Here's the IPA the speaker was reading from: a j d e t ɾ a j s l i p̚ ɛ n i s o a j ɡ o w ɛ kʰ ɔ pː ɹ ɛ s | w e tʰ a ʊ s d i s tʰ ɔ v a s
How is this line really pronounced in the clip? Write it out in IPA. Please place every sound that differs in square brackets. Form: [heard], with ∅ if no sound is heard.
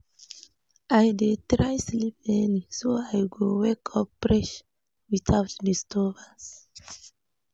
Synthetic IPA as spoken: a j d e t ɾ a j s l i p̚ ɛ n i s o a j ɡ o w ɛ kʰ ɔ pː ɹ ɛ [ʃ] | w [i] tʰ a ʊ [t] d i s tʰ ɔ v a s